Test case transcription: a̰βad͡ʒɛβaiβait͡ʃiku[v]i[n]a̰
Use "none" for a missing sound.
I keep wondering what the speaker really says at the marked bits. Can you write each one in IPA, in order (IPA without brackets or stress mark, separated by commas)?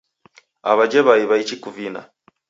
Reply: v, n